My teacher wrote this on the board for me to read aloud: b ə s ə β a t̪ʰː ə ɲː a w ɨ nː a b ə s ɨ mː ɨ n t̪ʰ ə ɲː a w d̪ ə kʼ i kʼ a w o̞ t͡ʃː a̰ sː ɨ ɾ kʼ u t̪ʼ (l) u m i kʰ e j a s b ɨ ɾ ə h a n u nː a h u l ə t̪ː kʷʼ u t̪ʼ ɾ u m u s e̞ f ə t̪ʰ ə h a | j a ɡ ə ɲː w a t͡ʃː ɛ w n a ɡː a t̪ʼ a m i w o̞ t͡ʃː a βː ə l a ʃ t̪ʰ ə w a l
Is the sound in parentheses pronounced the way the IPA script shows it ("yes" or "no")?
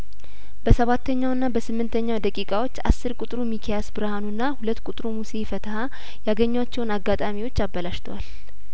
no